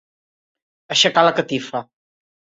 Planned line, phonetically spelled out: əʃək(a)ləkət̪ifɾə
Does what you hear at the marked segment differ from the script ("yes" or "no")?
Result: no